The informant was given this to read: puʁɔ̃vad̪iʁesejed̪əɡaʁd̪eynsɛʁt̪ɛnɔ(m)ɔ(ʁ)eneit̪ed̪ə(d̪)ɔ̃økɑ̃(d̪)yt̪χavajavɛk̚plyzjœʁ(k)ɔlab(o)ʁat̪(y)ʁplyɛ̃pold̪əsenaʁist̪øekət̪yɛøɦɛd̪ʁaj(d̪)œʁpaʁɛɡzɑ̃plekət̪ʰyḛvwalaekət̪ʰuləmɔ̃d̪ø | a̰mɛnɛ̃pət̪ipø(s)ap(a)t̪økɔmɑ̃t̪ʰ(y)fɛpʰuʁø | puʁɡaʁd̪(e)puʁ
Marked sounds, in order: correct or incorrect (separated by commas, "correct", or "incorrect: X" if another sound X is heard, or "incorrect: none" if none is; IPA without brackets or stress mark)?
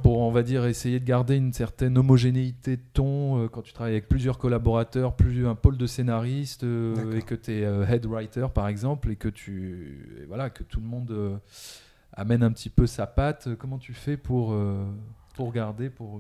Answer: correct, incorrect: ʒ, incorrect: t̪, incorrect: t̪, correct, incorrect: ɔ, incorrect: œ, incorrect: t̪, correct, correct, correct, correct